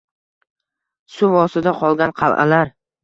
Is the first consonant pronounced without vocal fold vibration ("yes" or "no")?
yes